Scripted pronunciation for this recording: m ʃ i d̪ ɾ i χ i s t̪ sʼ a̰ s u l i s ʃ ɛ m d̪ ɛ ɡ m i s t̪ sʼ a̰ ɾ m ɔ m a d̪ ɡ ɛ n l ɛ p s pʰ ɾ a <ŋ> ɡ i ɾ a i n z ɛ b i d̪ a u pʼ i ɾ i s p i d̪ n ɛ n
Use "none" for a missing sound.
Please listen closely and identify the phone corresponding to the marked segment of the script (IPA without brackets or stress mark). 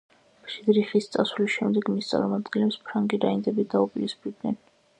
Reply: ŋ